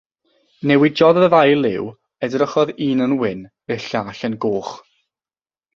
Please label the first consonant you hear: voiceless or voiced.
voiced